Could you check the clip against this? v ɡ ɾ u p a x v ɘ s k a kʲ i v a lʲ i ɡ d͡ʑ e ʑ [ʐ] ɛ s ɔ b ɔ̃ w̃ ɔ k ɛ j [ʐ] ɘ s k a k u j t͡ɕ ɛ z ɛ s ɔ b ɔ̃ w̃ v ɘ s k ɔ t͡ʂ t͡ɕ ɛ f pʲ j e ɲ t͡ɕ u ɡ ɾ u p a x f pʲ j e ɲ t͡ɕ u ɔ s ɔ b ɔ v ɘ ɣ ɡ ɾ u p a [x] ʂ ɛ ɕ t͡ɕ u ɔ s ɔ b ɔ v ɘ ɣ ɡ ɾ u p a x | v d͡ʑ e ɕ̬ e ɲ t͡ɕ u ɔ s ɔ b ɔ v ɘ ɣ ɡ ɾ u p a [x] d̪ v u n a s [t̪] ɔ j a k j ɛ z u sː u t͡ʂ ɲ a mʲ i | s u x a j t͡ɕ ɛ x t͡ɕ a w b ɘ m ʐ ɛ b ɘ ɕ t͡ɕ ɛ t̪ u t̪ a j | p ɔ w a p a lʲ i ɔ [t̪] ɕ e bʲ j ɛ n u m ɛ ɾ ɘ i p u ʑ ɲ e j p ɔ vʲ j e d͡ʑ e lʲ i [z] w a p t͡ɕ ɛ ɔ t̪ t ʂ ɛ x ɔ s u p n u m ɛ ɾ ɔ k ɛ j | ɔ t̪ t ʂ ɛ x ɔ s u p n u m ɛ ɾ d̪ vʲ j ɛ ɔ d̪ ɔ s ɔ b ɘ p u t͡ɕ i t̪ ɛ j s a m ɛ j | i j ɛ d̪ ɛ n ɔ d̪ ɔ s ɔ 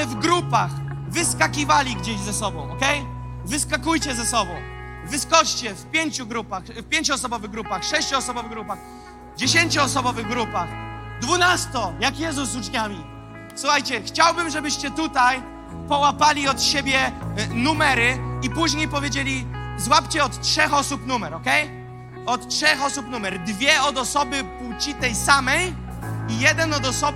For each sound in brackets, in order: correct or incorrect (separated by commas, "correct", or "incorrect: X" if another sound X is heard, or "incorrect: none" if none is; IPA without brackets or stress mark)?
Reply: incorrect: z, incorrect: v, correct, correct, correct, correct, correct